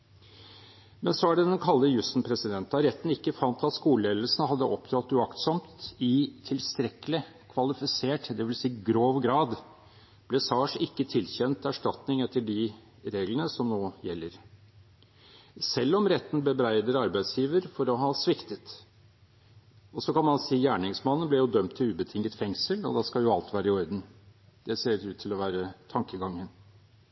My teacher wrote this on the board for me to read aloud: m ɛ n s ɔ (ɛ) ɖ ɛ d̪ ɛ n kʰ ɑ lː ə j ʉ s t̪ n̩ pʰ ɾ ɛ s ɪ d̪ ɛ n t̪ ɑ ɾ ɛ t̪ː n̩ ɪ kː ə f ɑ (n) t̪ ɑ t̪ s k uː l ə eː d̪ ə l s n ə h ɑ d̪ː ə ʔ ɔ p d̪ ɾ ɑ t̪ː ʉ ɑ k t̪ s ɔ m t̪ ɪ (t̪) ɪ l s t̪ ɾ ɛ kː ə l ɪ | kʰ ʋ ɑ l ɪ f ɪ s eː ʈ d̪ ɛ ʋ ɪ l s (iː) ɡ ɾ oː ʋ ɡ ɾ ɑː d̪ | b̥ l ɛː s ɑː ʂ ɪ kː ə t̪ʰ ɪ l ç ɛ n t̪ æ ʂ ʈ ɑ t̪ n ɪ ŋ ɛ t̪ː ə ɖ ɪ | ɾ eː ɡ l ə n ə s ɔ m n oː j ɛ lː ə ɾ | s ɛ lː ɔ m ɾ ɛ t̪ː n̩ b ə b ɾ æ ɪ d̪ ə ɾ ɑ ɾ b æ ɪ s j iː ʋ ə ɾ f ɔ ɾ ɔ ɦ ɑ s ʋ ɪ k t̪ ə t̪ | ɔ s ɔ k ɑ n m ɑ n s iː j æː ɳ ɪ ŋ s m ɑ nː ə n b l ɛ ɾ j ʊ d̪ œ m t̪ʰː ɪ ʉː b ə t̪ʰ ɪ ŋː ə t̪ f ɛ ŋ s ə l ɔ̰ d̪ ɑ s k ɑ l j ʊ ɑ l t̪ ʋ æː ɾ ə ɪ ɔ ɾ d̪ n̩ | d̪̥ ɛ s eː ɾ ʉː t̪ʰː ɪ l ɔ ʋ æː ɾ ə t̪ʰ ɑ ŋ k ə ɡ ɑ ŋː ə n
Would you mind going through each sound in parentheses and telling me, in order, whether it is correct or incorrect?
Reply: incorrect: æ, correct, incorrect: t̪ʰ, correct

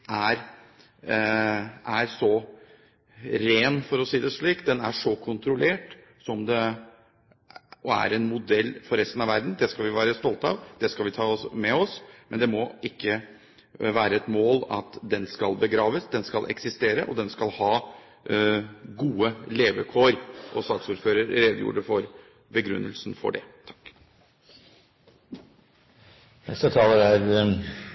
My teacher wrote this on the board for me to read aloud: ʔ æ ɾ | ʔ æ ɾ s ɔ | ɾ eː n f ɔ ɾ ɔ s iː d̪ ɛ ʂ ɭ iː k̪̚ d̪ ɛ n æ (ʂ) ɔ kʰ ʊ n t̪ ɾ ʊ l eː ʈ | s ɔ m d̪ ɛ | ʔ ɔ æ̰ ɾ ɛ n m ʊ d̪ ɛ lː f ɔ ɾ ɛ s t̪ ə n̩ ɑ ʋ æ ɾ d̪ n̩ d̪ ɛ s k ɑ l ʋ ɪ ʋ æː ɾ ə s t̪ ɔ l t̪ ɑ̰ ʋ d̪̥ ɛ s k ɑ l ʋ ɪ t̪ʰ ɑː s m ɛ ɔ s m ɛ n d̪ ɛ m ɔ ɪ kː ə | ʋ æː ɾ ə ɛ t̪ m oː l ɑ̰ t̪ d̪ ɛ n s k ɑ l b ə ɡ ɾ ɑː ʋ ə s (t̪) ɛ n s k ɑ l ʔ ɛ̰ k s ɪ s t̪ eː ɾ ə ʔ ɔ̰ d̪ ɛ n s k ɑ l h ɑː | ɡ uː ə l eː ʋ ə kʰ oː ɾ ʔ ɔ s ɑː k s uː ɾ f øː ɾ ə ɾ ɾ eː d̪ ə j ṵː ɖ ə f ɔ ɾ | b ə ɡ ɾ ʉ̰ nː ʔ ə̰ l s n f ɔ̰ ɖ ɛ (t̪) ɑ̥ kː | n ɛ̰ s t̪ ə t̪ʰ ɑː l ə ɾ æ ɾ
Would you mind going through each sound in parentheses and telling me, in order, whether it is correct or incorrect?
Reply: correct, incorrect: d̪, incorrect: t̪ʰ

